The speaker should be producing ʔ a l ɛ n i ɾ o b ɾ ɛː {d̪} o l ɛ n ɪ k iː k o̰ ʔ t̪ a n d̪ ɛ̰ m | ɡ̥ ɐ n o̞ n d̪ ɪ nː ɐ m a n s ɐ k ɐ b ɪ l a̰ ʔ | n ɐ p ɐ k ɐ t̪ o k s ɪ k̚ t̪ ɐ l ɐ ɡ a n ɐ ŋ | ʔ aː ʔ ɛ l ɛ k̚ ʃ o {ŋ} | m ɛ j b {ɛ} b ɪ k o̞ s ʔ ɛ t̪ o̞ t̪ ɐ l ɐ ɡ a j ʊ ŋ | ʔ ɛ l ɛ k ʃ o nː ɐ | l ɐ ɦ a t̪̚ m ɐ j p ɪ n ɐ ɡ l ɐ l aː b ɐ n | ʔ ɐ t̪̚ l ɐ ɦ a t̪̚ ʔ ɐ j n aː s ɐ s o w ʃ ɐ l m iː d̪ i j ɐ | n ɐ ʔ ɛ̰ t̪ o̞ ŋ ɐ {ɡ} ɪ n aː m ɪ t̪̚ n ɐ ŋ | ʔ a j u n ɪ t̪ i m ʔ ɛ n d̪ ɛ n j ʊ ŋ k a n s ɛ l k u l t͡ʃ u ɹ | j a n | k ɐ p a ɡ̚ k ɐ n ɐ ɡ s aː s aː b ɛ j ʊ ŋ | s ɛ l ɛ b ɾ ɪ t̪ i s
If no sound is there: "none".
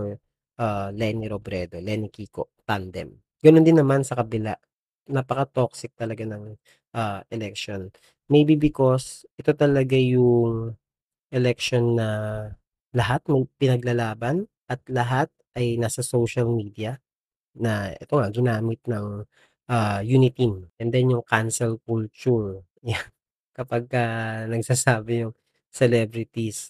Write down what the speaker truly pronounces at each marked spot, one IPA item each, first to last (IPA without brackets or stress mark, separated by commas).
d̪, n, i, ɡ